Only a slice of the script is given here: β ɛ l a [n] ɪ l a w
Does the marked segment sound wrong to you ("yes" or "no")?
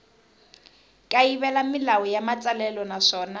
yes